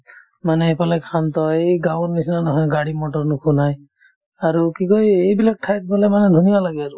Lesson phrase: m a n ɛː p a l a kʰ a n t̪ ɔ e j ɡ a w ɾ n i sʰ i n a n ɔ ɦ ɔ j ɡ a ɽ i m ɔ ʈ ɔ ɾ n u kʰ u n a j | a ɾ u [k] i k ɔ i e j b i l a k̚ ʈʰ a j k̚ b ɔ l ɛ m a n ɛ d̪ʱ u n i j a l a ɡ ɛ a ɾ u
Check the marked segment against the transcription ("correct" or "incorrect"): correct